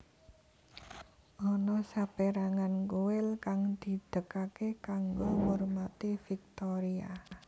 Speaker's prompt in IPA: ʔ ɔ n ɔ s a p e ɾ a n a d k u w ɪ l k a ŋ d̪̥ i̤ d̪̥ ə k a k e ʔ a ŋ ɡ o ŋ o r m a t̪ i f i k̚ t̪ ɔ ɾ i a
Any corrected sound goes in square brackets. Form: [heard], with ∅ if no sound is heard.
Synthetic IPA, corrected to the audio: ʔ ɔ n ɔ s a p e ɾ a [ŋ] a [n] k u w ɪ l k a ŋ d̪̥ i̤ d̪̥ ə k a k e [k] a ŋ ɡ o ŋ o r m a t̪ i f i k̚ t̪ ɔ ɾ i a